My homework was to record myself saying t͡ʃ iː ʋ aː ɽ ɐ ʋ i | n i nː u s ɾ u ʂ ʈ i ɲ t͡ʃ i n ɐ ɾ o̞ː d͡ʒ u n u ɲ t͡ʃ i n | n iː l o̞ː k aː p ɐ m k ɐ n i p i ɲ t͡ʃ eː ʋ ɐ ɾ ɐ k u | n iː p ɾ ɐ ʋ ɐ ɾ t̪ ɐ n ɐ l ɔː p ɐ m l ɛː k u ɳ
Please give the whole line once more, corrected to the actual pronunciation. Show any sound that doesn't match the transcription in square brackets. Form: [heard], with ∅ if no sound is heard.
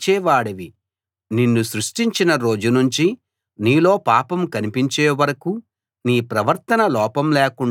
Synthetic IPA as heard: t͡ʃ [ɛː] ʋ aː ɽ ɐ ʋ i | n i nː u s ɾ u ʂ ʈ i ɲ t͡ʃ i n ɐ ɾ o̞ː d͡ʒ u n u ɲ t͡ʃ i [∅] | n iː l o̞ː [p] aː p ɐ m k ɐ n i p i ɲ t͡ʃ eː ʋ ɐ ɾ ɐ k u | n iː p ɾ ɐ ʋ ɐ ɾ t̪ ɐ n ɐ l ɔː p ɐ m l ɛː k u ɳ